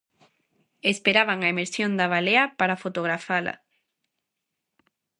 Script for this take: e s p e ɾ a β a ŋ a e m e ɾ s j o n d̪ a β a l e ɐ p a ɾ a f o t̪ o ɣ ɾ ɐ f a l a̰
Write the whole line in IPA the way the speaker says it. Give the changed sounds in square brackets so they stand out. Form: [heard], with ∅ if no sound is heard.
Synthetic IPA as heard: e s p e ɾ a β a ŋ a e m e ɾ s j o n d̪ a β a l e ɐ p a ɾ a f o t̪ o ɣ ɾ [a] f a l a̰